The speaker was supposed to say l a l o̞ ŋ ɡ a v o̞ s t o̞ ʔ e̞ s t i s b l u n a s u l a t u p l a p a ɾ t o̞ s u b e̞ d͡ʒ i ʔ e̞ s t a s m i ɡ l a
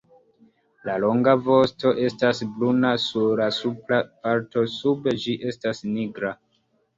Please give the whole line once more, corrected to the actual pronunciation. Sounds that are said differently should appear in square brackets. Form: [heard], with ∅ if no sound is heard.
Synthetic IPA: l a l o̞ ŋ ɡ a v o̞ s t o̞ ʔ e̞ s t [a] s b l u n a s u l a [s] u p l a p a ɾ t o̞ s u b e̞ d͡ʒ i ʔ e̞ s t a s [n] i ɡ [ɾ] a